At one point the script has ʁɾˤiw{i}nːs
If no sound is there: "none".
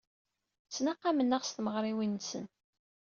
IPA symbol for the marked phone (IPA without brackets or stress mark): i